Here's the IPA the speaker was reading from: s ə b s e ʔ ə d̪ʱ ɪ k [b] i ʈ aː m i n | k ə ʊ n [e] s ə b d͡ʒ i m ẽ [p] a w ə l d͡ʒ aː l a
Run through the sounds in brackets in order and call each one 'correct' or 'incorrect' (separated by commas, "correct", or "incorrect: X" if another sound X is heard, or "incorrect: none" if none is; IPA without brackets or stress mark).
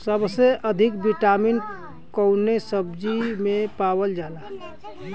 correct, correct, correct